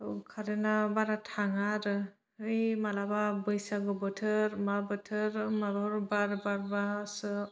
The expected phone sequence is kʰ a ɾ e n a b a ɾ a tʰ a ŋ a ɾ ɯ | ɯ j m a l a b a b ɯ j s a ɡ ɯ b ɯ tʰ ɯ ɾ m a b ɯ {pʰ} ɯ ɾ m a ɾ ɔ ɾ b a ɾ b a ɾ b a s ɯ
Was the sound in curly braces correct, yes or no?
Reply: no